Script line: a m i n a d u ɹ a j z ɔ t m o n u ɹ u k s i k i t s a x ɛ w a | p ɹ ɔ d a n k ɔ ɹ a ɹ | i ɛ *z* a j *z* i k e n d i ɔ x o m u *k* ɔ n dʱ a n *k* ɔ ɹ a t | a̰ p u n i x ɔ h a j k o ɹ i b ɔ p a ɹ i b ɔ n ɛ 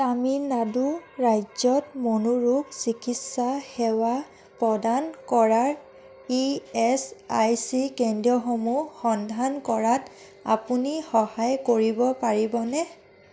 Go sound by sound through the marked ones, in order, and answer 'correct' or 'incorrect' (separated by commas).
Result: incorrect, incorrect, incorrect, correct